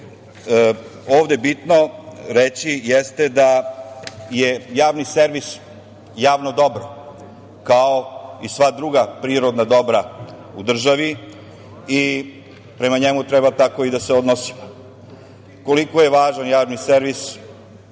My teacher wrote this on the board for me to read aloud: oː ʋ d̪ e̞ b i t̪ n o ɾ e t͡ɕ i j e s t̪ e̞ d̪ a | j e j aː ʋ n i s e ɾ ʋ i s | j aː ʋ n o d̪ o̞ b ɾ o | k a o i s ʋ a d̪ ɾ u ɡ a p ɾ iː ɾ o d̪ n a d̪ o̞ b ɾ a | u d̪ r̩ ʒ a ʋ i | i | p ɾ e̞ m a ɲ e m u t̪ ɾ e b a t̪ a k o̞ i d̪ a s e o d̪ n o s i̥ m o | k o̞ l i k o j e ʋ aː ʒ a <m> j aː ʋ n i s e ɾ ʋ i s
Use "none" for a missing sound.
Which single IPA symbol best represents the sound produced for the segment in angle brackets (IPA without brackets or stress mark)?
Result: n